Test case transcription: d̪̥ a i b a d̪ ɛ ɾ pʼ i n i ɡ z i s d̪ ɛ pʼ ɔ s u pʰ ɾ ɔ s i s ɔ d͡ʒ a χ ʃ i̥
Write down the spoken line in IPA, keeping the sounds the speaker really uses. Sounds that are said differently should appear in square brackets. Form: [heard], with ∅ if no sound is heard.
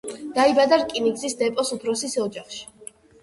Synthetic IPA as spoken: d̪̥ a i b a d̪ [a] ɾ [kʼ] i n i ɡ z i s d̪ ɛ pʼ ɔ s u pʰ ɾ ɔ s i s ɔ d͡ʒ a χ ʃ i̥